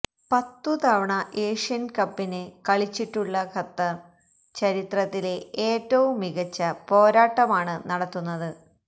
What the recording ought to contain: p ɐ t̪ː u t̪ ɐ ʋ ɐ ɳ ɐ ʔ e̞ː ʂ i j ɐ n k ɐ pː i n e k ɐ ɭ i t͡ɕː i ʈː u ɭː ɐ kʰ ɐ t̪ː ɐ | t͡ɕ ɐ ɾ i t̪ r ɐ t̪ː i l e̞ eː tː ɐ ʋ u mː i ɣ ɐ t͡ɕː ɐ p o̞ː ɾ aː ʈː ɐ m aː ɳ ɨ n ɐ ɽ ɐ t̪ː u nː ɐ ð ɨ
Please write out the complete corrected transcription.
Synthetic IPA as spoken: p ɐ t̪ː u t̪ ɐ ʋ ɐ ɳ ɐ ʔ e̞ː ʂ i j ɐ n k ɐ pː i n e k ɐ ɭ i t͡ɕː i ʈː u ɭː ɐ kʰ ɐ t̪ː ɐ | t͡ɕ ɐ ɾ i t̪ r ɐ t̪ː i l e̞ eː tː ɐ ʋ u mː i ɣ ɐ t͡ɕː ɐ p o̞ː ɾ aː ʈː ɐ m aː ɳ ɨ n ɐ ɽ ɐ t̪ː u nː ɐ ð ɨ